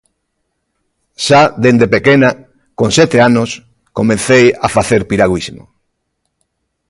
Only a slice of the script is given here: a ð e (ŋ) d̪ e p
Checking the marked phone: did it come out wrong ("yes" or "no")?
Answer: yes